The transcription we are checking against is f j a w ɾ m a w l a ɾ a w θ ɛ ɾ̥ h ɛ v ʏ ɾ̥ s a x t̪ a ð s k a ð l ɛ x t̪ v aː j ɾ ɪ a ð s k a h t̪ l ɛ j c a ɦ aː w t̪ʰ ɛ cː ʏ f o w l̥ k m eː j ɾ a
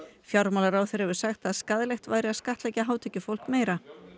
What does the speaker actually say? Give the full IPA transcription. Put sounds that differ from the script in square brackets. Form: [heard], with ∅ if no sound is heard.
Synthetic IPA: f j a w ɾ m a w l a ɾ a w θ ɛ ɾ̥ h ɛ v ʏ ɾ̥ s a x t̪ a ð s k a ð l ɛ x t̪ v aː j ɾ ɪ a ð s k a h t̪ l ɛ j c a ɦ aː w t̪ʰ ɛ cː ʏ f o w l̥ k m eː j ɾ a